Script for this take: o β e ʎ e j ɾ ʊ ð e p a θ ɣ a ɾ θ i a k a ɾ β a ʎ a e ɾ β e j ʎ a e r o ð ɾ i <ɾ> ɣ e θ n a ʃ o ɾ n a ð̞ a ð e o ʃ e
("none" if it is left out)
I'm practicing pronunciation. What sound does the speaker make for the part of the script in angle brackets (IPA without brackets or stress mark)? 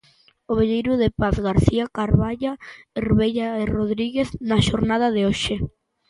none